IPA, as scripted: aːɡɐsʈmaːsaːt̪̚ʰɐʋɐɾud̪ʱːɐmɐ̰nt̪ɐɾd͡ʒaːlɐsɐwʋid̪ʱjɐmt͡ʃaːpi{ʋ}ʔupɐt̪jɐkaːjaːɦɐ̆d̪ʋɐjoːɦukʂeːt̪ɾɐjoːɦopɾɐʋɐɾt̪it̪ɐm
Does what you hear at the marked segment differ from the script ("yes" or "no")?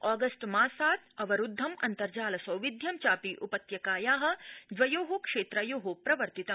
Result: yes